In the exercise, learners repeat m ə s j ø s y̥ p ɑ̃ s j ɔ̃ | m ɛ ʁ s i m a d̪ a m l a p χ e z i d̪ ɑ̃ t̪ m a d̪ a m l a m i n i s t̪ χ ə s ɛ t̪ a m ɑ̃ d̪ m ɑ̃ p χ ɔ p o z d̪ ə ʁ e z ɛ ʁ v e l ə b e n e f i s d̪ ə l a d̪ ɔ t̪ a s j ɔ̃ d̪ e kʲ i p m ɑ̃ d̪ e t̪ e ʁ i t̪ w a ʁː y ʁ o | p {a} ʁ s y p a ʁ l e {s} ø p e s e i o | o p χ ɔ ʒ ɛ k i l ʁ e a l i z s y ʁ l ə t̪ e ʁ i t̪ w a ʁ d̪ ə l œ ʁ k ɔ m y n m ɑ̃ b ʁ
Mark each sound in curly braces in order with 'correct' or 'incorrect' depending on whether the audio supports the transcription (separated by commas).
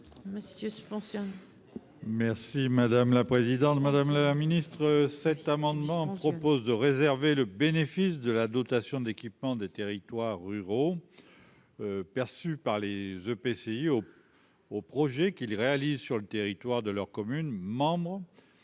incorrect, incorrect